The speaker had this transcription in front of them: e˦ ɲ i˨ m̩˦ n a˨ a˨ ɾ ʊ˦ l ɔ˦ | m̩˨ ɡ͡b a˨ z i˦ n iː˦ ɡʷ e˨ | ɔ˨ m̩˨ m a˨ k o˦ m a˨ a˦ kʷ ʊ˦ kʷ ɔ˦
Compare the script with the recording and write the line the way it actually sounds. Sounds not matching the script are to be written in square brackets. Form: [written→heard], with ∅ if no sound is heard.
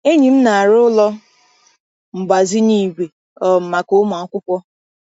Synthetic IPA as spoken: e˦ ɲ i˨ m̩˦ n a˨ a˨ ɾ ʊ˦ l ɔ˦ | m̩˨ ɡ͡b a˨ z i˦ n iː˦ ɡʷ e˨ | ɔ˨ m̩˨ m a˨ k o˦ m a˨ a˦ kʷ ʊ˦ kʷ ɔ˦